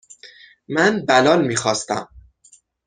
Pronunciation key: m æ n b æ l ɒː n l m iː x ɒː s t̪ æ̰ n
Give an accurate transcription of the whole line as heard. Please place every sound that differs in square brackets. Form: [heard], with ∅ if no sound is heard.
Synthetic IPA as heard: m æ n b æ l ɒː [∅] l m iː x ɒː s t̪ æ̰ [m]